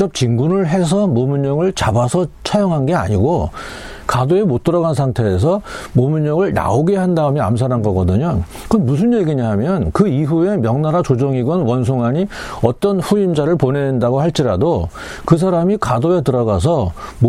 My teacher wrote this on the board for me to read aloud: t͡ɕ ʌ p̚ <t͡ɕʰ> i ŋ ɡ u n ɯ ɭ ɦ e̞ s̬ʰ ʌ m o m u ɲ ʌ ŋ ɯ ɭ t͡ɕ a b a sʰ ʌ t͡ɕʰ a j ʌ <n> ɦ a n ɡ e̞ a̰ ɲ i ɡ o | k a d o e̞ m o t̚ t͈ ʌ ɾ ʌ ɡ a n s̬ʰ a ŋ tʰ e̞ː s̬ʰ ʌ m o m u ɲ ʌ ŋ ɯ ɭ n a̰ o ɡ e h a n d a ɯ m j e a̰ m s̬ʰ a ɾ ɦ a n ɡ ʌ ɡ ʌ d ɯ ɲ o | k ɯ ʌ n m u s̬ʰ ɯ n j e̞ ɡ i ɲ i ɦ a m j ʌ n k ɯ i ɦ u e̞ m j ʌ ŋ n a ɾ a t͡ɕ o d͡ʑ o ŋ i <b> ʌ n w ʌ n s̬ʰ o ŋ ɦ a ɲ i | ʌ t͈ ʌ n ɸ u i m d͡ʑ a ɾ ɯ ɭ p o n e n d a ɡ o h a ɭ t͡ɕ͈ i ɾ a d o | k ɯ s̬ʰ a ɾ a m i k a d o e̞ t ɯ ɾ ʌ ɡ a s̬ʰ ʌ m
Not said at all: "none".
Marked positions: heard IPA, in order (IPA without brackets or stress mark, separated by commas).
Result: t͡ɕ, ŋ, ɡ